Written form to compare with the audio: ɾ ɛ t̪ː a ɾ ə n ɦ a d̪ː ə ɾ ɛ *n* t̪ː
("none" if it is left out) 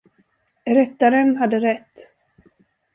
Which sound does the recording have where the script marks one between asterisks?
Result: none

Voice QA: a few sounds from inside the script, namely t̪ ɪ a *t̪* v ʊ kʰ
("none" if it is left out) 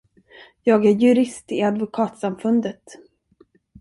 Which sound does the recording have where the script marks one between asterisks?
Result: d̪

